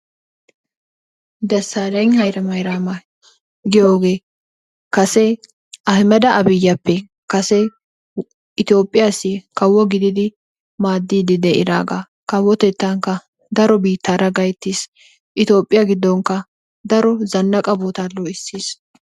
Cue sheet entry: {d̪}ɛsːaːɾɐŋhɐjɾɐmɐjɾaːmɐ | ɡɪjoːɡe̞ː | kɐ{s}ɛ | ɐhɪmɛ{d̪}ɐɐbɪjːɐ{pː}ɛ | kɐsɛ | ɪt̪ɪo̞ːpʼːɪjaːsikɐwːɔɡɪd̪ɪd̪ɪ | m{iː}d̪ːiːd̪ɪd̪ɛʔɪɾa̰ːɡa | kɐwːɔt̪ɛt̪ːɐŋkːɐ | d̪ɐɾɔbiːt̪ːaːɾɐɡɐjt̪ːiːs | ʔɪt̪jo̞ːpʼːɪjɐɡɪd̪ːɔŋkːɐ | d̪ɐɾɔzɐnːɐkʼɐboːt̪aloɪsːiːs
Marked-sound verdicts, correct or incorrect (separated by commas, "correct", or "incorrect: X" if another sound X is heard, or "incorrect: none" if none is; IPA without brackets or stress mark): correct, correct, correct, correct, incorrect: aː